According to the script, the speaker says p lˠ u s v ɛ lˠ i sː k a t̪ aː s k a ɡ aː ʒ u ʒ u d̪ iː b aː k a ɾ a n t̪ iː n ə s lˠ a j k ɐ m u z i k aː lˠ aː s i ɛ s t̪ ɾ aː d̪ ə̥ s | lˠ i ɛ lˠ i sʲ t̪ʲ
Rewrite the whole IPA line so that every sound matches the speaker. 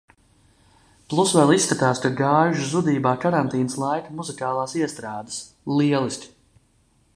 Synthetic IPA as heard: p lˠ u s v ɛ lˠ i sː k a t̪ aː s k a ɡ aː ʒ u z u d̪ iː b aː k a ɾ a n t̪ iː n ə s lˠ a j k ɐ m u z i k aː lˠ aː s i ɛ s t̪ ɾ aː d̪ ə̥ s | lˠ i ɛ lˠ i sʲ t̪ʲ